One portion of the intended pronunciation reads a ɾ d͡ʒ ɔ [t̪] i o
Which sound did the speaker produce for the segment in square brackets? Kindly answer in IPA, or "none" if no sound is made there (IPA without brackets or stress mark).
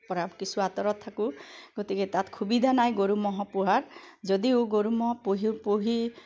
d̪